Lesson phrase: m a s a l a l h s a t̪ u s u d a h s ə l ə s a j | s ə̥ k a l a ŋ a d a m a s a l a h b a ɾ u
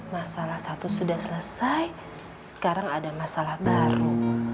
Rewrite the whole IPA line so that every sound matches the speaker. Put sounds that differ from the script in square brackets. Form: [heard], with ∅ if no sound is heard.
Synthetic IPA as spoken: m a s a l a [∅] h s a t̪ u s u d a h s ə l ə s a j | s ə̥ k a [ɾ] a ŋ a d a m a s a l a h b a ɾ u